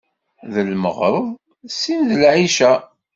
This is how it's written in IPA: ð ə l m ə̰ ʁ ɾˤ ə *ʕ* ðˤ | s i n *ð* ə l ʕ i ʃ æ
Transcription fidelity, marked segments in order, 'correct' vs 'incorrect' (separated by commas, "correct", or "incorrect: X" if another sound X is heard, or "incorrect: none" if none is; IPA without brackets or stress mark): incorrect: none, correct